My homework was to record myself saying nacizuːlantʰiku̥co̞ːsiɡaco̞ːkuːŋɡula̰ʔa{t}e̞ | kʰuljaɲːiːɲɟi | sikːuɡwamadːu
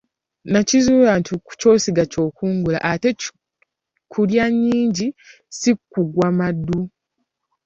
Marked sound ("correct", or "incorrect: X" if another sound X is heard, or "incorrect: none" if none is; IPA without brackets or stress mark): correct